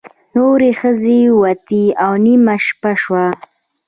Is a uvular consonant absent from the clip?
yes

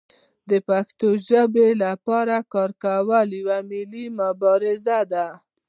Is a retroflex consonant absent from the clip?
yes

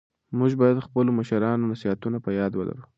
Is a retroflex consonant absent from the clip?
yes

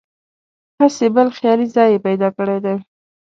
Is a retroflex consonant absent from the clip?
no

